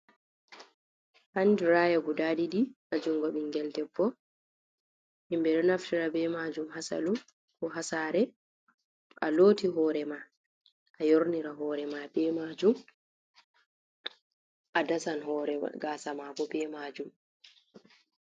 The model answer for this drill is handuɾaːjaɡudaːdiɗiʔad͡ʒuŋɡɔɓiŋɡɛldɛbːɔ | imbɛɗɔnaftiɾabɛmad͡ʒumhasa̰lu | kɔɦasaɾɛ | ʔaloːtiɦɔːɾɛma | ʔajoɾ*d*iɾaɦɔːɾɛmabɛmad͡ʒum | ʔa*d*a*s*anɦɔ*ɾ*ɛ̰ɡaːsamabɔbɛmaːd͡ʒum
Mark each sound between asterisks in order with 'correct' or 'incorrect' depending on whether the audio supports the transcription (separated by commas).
incorrect, correct, correct, correct